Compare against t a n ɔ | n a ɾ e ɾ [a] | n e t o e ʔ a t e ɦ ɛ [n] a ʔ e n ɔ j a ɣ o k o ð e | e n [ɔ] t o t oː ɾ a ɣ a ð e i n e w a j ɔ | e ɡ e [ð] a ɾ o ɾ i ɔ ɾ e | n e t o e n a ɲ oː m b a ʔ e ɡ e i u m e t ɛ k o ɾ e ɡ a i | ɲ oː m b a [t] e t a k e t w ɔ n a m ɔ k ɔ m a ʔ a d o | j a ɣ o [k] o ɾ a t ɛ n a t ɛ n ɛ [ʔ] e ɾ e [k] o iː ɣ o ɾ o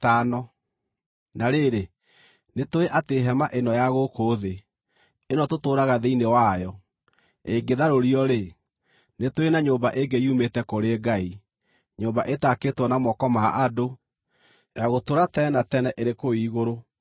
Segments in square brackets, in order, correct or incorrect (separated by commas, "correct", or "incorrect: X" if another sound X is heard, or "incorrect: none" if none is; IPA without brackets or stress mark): incorrect: e, incorrect: m, correct, correct, incorrect: ʔ, incorrect: t, correct, correct